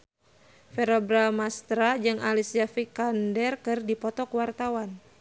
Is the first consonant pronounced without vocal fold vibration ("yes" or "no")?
yes